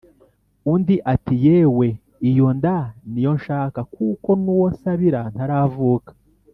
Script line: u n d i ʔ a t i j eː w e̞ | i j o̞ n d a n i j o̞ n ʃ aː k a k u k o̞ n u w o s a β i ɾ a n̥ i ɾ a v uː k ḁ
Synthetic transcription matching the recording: u n d i ʔ a t i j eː w e̞ | i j o̞ n d a n i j o̞ n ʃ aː k a k u k o̞ n u w o s a β i ɾ a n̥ a ɾ a v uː k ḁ